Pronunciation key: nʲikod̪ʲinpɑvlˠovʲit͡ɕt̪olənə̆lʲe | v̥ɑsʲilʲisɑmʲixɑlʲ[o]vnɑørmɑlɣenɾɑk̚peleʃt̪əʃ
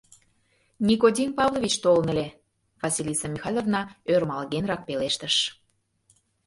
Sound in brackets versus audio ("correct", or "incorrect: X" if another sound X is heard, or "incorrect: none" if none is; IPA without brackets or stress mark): correct